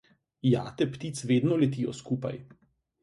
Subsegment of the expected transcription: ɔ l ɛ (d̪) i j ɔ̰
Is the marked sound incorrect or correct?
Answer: incorrect: t̪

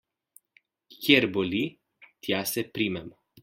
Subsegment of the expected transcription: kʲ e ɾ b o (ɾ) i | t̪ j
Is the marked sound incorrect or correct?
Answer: incorrect: l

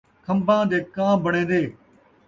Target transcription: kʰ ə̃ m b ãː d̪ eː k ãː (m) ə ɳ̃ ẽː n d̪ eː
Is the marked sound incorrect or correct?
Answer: incorrect: b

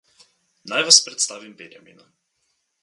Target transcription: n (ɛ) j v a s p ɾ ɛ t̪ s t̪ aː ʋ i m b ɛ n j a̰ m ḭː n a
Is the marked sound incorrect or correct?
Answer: incorrect: a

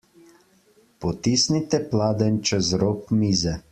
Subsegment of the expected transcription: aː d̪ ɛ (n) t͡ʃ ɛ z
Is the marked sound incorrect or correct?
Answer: correct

